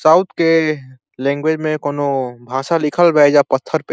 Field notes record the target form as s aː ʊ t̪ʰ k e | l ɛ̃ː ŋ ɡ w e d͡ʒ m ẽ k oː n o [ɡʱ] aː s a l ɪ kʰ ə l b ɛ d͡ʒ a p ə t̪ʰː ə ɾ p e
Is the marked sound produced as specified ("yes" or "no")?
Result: no